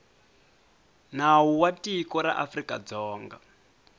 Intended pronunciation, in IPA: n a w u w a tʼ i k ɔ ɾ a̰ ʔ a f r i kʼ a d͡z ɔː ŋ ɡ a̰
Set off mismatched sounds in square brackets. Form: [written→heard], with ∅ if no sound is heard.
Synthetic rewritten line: n a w u w a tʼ i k ɔ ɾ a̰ ʔ a f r i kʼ a d͡z ɔː ŋ ɡ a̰